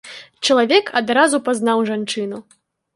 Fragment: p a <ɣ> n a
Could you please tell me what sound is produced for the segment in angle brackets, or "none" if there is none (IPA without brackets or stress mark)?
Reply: z